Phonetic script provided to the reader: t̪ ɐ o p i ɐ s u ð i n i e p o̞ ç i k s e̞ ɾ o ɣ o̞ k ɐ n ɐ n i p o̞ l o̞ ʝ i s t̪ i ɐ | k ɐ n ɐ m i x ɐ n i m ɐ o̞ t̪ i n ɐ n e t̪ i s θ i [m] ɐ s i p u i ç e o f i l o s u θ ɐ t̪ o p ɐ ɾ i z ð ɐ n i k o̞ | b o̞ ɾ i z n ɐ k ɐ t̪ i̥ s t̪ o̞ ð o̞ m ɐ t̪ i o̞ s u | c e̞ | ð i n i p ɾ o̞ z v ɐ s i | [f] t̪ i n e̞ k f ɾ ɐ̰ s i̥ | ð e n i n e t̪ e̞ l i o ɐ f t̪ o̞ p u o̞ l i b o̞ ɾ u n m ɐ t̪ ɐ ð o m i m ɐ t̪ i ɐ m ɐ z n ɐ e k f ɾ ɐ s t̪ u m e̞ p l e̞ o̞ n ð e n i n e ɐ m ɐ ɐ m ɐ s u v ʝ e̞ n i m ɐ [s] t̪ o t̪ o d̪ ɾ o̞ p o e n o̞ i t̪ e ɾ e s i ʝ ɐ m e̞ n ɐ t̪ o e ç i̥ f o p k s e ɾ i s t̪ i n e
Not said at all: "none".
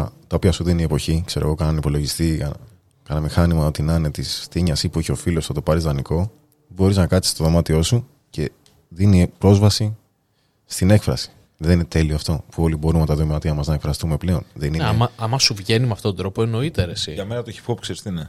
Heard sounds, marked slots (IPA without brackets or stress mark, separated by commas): ɲ, s, f